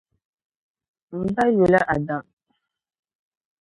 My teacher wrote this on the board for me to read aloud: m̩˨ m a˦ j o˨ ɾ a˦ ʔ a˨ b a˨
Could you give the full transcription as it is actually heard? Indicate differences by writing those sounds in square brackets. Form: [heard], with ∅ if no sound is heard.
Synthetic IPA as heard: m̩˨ [b] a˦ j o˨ [l] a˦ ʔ a˨ [d] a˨